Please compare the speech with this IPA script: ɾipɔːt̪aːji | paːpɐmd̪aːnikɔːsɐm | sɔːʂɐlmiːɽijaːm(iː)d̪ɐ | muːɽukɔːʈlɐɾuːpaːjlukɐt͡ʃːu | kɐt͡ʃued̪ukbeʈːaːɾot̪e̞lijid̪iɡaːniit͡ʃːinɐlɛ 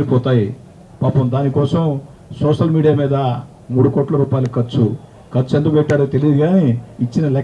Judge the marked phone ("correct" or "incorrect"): correct